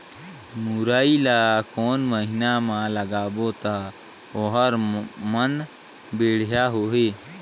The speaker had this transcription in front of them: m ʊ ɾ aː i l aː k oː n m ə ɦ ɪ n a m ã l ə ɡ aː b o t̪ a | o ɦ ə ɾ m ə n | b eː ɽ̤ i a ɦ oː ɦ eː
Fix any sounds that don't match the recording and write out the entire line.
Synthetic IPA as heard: m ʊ ɾ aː i l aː k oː n m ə ɦ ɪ n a m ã l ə ɡ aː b o t̪ a | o ɦ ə ɾ m ə n | b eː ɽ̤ j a ɦ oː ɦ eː